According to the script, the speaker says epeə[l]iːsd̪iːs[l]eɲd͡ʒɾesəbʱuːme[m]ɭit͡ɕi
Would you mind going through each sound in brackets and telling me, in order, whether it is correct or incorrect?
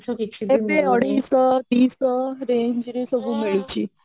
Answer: incorrect: ɽ, incorrect: ɾ, incorrect: none

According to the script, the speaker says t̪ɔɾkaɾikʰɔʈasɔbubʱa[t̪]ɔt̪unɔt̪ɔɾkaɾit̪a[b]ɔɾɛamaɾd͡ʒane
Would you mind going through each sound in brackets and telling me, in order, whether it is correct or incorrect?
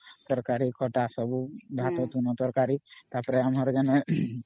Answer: correct, incorrect: p

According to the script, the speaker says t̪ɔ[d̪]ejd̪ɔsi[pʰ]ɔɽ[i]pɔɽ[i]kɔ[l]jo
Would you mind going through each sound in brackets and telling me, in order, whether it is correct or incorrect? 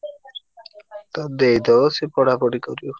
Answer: correct, incorrect: p, incorrect: a, correct, incorrect: ɾ

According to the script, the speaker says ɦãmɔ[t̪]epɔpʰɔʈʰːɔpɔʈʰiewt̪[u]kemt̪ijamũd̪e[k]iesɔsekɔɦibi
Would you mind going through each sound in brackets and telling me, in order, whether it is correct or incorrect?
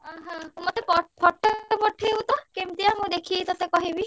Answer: correct, incorrect: ɔ, incorrect: kʰ

